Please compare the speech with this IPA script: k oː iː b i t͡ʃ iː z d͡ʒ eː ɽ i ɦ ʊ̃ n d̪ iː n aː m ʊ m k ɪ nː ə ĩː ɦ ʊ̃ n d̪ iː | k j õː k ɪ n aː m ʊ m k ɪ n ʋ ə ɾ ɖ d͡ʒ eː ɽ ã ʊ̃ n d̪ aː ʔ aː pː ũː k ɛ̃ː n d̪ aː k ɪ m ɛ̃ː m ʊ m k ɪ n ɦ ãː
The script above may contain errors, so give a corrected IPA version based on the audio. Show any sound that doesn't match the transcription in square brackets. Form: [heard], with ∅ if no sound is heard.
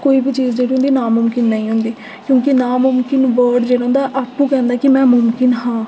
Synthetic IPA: k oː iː b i t͡ʃ iː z d͡ʒ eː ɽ i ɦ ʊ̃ n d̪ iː n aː m ʊ m k ɪ nː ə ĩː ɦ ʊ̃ n d̪ iː | k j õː k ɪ n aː m ʊ m k ɪ n ʋ ə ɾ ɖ d͡ʒ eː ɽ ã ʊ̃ n d̪ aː ʔ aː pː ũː k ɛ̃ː n d̪ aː k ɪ m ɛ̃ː m ʊ m k ɪ n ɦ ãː